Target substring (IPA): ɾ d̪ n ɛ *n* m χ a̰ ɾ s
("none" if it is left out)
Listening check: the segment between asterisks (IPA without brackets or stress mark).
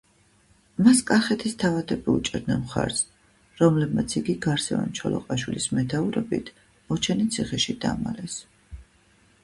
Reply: n